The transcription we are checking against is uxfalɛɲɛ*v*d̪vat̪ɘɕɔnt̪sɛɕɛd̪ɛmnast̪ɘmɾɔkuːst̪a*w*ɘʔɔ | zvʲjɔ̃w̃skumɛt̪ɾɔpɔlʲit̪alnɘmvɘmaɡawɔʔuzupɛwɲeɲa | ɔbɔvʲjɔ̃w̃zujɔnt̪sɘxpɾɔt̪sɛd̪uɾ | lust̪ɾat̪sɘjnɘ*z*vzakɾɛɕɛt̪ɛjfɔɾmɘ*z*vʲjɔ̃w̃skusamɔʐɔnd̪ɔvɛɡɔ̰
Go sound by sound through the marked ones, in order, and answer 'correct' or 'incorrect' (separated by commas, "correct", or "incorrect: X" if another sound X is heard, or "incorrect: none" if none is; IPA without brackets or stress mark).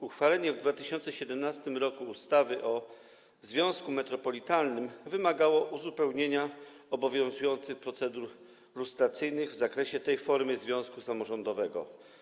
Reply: correct, incorrect: v, incorrect: ɣ, correct